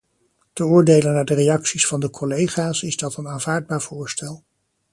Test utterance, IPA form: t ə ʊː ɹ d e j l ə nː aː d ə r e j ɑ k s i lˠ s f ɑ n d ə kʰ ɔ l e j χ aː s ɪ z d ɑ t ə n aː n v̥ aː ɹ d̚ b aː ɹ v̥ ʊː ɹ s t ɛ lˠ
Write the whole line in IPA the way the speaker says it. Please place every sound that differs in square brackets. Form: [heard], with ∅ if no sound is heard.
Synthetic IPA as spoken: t ə ʊː ɹ d e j l ə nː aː d ə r e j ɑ k s i [∅] s f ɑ n d ə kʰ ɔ l e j χ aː s ɪ z d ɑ t ə n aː n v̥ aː ɹ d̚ b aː ɹ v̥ ʊː ɹ s t ɛ lˠ